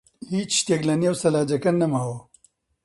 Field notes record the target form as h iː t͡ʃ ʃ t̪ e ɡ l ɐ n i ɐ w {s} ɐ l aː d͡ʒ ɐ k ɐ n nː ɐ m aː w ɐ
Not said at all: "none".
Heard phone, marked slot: s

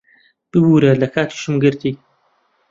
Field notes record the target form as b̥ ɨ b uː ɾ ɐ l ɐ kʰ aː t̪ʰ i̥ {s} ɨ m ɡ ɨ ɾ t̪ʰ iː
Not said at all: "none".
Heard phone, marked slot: ʃ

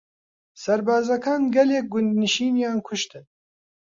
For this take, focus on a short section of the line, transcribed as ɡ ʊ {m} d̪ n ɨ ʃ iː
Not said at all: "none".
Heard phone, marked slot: n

